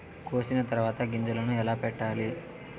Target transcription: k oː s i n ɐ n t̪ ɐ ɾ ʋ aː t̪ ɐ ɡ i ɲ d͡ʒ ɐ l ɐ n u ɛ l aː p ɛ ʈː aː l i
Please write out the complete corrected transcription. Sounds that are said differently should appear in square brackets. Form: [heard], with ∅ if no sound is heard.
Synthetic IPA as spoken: k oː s i n ɐ [∅] t̪ ɐ ɾ ʋ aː t̪ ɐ ɡ i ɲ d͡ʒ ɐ l ɐ n u ɛ l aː p ɛ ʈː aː l i